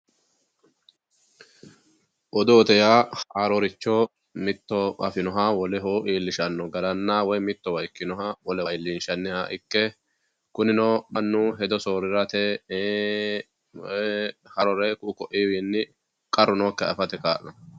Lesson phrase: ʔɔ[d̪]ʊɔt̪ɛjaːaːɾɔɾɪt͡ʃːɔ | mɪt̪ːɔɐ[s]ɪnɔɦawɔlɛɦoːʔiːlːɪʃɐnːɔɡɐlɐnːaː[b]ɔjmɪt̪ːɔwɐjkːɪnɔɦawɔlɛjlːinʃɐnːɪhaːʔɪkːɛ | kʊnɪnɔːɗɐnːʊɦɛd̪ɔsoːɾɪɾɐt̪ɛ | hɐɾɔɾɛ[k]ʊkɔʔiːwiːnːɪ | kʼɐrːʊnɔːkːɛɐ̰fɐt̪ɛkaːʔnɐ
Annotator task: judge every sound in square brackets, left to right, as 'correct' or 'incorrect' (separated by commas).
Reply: correct, incorrect, incorrect, correct